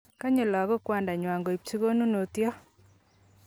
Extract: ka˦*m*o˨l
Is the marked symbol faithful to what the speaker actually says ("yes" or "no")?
no